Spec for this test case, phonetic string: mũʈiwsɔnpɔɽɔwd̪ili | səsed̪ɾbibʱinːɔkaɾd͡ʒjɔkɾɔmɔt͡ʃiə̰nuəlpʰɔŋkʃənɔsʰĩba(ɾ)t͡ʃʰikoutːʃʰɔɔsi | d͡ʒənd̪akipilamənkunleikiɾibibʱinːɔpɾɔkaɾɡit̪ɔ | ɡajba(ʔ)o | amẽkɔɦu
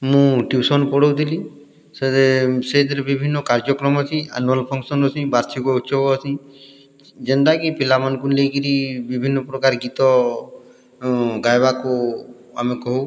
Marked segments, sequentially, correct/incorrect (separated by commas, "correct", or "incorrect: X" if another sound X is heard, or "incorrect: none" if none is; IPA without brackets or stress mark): correct, incorrect: k